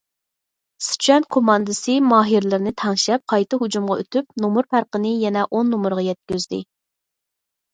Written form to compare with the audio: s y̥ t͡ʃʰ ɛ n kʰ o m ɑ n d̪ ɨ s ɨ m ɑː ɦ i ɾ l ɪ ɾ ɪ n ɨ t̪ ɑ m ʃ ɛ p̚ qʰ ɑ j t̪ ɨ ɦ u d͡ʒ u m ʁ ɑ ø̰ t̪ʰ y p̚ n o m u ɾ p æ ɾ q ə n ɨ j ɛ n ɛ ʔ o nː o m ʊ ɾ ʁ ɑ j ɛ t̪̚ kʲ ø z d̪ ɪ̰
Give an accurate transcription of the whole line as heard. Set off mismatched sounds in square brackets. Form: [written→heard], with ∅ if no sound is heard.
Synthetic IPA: s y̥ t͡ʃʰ ɛ n kʰ o m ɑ n d̪ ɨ s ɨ m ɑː ɦ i ɾ l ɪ ɾ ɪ n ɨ [t̪→t̪ʰ] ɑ [m→ŋ] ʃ ɛ p̚ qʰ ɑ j t̪ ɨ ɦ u d͡ʒ u m ʁ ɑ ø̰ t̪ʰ y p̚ n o m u ɾ p æ ɾ q ə n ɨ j ɛ n ɛ ʔ o nː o m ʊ ɾ ʁ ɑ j ɛ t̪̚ kʲ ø z d̪ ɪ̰